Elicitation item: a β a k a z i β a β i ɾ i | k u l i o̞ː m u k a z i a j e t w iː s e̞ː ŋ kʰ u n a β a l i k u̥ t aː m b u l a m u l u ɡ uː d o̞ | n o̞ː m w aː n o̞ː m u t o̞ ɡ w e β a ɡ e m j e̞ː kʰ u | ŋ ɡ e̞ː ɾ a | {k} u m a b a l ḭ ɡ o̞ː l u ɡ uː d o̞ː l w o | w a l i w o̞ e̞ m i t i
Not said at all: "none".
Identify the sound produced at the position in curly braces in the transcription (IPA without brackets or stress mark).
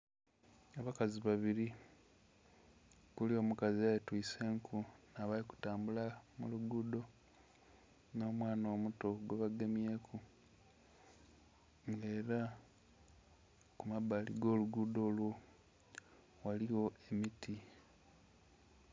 k